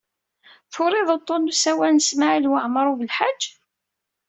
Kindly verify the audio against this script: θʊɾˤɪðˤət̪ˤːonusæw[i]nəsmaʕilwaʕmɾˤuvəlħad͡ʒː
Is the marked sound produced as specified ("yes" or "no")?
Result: no